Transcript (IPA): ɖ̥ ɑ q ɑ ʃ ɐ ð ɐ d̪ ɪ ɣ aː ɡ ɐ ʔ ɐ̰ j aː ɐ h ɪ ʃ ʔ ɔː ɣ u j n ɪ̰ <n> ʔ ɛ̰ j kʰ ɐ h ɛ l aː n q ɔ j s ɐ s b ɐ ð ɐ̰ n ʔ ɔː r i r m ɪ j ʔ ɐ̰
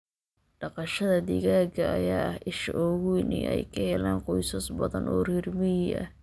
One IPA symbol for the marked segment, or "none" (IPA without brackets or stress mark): none